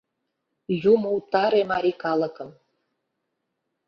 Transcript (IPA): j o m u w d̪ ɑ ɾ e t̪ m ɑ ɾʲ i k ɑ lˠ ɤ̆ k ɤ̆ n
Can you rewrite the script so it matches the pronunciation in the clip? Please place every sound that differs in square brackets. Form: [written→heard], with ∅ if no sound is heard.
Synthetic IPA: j [o→u] m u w [d̪→t̪] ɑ ɾ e [t̪→∅] m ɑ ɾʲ i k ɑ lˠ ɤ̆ k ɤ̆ [n→m]